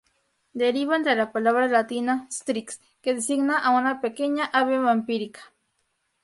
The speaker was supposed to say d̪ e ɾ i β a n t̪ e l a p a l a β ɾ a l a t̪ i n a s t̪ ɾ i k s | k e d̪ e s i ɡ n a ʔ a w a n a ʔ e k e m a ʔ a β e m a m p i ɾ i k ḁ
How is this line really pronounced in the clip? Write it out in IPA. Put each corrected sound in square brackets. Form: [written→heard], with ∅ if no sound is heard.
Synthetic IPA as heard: d̪ e ɾ i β a n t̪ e l a p a l a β ɾ a l a t̪ i n a s t̪ ɾ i k s | k e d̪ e s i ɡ n a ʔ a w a n a [ʔ→p] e k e [m→ɲ] a ʔ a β e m a m p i ɾ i k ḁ